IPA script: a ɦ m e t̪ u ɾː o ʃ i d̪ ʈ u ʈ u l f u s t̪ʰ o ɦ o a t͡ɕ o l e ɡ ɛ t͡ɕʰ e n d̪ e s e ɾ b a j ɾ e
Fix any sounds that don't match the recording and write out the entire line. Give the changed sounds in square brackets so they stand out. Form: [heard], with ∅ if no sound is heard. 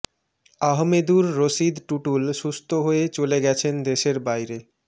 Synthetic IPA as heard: a ɦ m e [d̪] u ɾː o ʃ i d̪ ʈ u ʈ u l [ʃ] u s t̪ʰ o ɦ o [e] t͡ɕ o l e ɡ ɛ t͡ɕʰ e n d̪ e [ʃ] e ɾ b a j ɾ e